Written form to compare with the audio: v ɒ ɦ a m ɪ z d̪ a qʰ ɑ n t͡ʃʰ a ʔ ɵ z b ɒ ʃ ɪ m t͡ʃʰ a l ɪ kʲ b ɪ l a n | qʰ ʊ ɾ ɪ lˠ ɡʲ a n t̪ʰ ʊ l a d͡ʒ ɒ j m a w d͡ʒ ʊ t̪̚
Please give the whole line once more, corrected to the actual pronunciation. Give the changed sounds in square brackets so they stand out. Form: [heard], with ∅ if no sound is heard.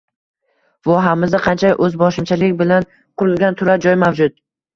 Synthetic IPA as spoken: v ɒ ɦ a m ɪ z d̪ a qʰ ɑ n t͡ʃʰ a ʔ ɵ z b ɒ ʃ ɪ m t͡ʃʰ a l ɪ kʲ b ɪ l a n | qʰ ʊ ɾ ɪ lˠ ɡʲ a n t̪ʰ ʊ [ɾ] a d͡ʒ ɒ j m a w d͡ʒ ʊ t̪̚

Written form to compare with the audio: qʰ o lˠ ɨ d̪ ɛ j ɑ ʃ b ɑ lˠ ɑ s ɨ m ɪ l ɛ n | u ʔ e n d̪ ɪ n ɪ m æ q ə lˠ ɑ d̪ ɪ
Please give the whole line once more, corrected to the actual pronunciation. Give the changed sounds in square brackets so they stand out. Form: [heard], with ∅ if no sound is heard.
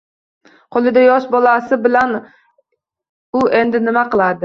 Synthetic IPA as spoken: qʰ o lˠ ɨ d̪ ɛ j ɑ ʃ b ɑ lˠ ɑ s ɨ [b] ɪ l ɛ n | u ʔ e n d̪ ɪ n ɪ m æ q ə lˠ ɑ d̪ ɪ

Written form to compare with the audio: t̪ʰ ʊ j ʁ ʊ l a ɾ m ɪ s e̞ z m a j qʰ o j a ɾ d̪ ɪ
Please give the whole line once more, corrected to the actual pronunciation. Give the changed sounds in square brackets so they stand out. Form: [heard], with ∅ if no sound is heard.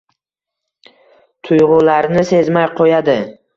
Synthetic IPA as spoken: t̪ʰ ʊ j ʁ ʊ l a ɾ [n] ɪ s e̞ z m a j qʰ o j a [∅] d̪ ɪ

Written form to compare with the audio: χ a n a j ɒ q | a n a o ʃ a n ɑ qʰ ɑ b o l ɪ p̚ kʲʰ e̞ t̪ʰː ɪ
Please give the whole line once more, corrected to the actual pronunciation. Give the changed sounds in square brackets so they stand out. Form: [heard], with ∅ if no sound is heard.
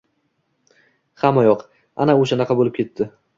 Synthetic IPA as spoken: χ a [m] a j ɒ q | a n a o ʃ a n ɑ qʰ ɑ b o l ɪ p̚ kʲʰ e̞ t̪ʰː ɪ

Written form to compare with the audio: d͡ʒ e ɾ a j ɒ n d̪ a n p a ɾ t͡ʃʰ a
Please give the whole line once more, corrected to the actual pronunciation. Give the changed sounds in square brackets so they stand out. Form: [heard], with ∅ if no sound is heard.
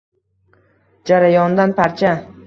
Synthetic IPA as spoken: d͡ʒ [a] ɾ a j ɒ n d̪ a n p a ɾ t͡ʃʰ a

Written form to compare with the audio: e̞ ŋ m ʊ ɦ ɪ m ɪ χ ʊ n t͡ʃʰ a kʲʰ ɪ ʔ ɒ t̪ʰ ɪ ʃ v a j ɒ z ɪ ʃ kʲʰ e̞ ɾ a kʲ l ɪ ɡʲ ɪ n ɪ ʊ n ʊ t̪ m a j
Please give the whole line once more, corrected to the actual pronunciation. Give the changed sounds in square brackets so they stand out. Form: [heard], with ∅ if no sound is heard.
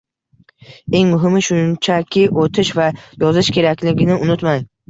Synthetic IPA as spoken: e̞ ŋ m ʊ ɦ ɪ m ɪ [ʃ] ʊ n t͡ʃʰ a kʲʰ ɪ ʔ [o] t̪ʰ ɪ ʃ v a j ɒ z ɪ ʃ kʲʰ e̞ ɾ a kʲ l ɪ ɡʲ ɪ n ɪ ʊ n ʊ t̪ m a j

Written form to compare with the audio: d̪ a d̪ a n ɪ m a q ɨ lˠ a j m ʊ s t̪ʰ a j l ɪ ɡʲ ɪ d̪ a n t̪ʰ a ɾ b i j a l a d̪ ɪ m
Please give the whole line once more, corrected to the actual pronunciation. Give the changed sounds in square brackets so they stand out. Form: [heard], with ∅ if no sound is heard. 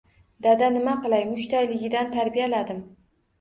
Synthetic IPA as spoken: d̪ a d̪ a n ɪ m a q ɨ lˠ a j m ʊ [ʃ] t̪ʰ a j l ɪ ɡʲ ɪ d̪ a n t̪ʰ a ɾ b i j a l a d̪ ɪ m

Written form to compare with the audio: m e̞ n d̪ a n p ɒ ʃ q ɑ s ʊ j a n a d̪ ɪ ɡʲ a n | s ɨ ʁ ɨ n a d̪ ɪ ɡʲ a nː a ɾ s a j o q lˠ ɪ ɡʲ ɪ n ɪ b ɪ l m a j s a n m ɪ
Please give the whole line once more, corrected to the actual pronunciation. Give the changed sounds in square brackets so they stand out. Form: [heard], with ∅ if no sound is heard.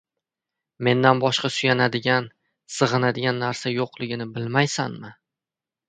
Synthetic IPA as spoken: m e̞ n d̪ a n [b] ɒ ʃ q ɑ s ʊ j a n a d̪ ɪ ɡʲ a n | s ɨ ʁ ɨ n a d̪ ɪ ɡʲ a nː a ɾ s a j o q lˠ ɪ ɡʲ ɪ n ɪ b ɪ l m a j s a n m ɪ

